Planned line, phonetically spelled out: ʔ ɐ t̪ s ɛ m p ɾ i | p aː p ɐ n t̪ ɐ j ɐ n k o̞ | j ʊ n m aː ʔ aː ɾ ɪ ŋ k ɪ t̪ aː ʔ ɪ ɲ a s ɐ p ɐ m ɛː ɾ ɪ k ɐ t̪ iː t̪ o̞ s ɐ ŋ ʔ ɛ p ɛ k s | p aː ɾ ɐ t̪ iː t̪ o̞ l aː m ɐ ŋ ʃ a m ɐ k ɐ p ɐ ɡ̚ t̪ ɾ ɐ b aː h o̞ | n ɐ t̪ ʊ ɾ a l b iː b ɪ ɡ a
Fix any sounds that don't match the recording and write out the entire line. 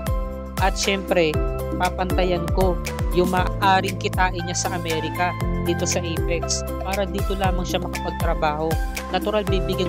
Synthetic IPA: ʔ ɐ t̪ ʃ ɛ m p ɾ ɛ | p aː p ɐ n t̪ ɐ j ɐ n k o̞ | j ʊ ŋ m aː ʔ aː ɾ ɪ ŋ k ɪ t̪ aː ʔ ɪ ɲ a s ɐ ʔ ɐ m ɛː ɾ ɪ k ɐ d̪ iː t̪ o̞ s ɐ ʔ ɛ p ɛ k s | p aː ɾ ɐ d̪ iː t̪ o̞ l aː m ɐ ŋ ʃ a m ɐ k ɐ p ɐ ɡ̚ t̪ ɾ ɐ b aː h o̞ | n ɐ t̪ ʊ ɾ a l b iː b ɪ ɡ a